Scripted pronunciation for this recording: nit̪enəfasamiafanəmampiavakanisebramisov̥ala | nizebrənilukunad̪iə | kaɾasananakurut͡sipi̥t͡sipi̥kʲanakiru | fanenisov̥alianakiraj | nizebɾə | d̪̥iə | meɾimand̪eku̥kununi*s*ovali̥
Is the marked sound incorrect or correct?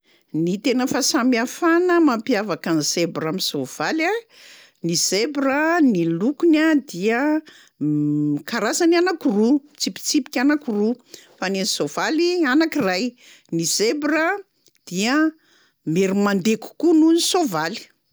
correct